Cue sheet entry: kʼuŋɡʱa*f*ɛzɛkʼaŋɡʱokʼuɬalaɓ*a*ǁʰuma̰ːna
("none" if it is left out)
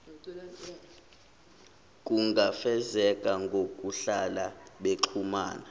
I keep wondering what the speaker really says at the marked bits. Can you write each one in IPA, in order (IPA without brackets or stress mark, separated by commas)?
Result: f, e